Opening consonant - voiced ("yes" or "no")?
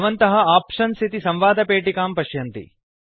yes